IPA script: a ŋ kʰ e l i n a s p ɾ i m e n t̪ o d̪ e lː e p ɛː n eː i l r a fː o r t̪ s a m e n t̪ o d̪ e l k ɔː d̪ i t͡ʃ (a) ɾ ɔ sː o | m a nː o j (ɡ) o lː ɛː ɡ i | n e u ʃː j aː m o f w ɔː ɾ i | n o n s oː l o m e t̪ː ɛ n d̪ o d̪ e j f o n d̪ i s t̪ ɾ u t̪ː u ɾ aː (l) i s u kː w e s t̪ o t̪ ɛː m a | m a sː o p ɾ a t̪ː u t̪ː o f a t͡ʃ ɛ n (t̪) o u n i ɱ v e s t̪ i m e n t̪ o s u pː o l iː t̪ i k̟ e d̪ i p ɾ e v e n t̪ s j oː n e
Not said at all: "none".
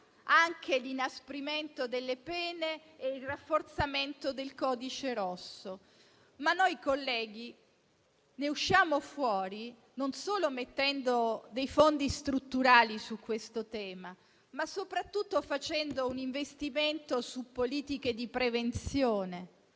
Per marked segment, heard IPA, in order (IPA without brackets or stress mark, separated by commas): e, k, l, d̪